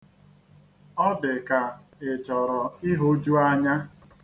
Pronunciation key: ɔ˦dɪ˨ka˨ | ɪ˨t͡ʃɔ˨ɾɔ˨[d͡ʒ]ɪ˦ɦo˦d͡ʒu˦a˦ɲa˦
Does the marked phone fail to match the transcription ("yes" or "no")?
yes